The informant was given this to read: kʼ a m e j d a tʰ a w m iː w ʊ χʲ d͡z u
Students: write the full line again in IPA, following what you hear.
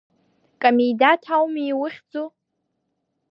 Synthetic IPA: kʼ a m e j d a tʰ a w m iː w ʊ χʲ d͡z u